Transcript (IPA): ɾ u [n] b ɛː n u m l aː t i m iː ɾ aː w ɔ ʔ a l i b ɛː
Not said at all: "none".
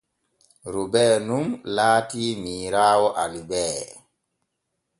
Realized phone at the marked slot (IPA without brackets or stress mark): none